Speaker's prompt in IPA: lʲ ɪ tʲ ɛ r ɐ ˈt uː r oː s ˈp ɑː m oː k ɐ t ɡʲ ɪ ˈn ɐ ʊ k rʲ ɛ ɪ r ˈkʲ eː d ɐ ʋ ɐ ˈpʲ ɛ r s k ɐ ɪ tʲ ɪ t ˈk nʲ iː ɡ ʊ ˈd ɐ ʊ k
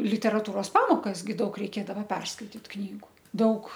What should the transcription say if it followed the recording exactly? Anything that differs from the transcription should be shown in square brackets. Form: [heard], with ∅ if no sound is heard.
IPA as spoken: lʲ ɪ tʲ ɛ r ɐ ˈt uː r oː s ˈp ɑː m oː k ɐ [s] ɡʲ ɪ [ˈd] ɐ ʊ k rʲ ɛ ɪ [∅] ˈkʲ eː d ɐ ʋ ɐ ˈpʲ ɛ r s k ɐ ɪ tʲ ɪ t ˈk nʲ iː ɡ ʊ ˈd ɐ ʊ k